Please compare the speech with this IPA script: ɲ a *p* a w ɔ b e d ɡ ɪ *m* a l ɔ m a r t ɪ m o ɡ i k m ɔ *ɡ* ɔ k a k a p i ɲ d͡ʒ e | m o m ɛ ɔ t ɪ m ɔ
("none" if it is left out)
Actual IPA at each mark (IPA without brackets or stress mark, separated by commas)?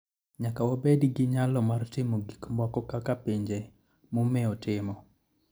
k, ɲ, k